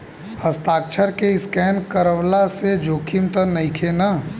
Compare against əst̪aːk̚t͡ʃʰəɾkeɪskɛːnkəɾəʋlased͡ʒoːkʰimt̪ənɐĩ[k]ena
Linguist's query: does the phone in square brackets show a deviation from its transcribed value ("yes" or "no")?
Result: yes